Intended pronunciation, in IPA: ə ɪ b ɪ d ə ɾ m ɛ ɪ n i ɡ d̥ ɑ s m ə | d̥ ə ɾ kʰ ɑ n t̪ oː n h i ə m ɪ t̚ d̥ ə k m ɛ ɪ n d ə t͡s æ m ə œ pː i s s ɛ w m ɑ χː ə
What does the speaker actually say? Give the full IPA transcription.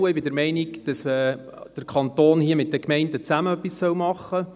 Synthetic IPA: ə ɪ b ɪ d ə ɾ m ɛ ɪ n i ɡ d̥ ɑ s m ə | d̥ ə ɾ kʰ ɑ n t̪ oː n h i ə m ɪ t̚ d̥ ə k m ɛ ɪ n d ə t͡s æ m ə œ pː i s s œ w m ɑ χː ə